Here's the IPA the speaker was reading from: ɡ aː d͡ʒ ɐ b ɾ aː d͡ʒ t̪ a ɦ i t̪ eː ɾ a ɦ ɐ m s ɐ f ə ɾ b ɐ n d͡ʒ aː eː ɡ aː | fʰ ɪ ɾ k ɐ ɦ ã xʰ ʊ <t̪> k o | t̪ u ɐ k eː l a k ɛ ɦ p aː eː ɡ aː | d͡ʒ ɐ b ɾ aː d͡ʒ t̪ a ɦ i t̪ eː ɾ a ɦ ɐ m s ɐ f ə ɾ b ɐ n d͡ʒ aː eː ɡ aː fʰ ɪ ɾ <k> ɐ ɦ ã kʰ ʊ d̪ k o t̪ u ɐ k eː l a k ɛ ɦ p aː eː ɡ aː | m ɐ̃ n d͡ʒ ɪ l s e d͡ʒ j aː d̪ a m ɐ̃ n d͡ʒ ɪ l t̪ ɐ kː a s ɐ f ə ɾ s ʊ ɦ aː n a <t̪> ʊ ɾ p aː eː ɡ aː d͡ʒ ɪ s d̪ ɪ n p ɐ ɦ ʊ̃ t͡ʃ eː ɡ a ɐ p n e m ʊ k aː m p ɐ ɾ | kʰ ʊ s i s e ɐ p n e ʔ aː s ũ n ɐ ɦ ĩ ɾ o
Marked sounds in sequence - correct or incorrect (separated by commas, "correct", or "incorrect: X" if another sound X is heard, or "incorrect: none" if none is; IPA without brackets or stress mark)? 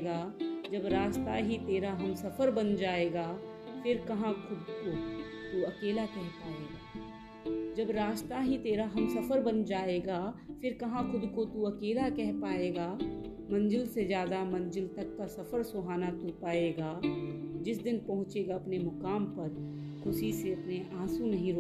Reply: incorrect: d̪, correct, correct